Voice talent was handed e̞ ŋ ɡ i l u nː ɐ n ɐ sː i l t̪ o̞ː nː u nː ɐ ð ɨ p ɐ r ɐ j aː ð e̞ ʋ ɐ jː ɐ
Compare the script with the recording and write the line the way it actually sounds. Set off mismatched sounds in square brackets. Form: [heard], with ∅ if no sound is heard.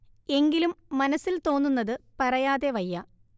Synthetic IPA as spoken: e̞ ŋ ɡ i l u [mː] ɐ n ɐ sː i l t̪ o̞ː nː u nː ɐ ð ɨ p ɐ r ɐ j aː ð e̞ ʋ ɐ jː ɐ